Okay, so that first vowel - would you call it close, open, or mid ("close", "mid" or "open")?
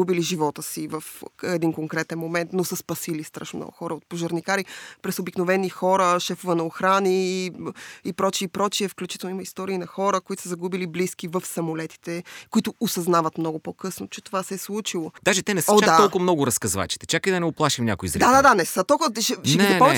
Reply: close